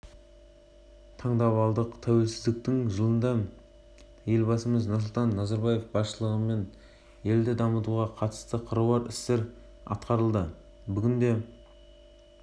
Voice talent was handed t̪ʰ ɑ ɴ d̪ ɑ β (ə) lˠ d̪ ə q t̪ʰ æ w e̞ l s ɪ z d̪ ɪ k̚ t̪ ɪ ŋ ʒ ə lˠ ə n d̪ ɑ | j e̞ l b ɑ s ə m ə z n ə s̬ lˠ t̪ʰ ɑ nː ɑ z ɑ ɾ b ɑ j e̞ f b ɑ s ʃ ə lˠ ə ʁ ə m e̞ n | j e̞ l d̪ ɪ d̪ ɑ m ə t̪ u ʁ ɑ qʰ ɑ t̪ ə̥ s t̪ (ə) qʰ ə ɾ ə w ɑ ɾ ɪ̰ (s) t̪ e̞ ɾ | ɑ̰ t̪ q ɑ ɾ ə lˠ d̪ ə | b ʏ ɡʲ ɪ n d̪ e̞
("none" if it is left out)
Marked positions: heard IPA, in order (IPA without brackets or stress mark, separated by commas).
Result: ɑ, ə, s